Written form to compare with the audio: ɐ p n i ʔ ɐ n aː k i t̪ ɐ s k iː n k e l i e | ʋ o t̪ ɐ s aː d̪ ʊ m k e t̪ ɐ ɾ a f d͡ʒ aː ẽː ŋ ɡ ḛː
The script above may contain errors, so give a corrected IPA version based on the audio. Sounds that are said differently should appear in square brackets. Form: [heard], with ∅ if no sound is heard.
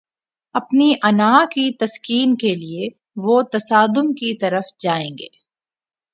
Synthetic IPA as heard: ɐ p n i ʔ ɐ n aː k i t̪ ɐ s k iː n k e l i e | ʋ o t̪ ɐ s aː d̪ ʊ m k [i] t̪ ɐ ɾ [ə] f d͡ʒ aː ẽː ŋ ɡ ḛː